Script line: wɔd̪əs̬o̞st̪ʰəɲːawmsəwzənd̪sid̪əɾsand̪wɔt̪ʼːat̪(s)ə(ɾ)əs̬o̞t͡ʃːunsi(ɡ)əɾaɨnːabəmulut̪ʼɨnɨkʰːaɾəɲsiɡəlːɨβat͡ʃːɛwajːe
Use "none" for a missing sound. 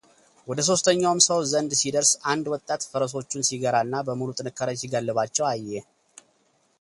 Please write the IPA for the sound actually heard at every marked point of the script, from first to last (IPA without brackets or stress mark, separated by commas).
f, ɾ, ɡ